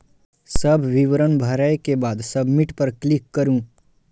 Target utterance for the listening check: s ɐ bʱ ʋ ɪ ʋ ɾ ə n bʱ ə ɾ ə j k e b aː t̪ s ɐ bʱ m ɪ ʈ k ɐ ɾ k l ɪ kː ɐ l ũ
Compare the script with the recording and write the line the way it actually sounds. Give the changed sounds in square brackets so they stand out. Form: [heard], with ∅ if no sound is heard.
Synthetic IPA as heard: s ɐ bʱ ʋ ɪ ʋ ɾ ə n bʱ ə ɾ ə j k e b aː [d̪] s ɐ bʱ m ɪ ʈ [p] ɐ ɾ k l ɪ kː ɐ [ɾ] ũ